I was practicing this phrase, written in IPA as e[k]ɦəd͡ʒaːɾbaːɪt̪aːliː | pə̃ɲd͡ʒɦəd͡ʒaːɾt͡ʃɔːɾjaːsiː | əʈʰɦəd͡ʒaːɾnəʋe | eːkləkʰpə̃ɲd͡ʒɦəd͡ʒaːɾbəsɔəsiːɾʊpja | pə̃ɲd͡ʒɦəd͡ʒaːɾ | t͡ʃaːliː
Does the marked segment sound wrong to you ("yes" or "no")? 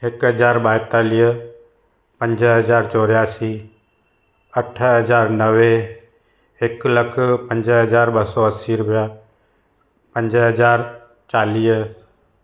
no